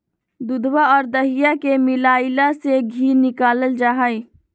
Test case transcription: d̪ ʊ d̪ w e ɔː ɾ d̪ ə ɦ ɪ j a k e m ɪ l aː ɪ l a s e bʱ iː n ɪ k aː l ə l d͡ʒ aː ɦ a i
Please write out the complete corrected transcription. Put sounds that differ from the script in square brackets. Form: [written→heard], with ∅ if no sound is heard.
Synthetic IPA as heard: d̪ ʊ d̪ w [e→a] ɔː ɾ d̪ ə ɦ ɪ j a k e m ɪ l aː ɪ l a s e [bʱ→ɡʱ] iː n ɪ k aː l ə l d͡ʒ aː ɦ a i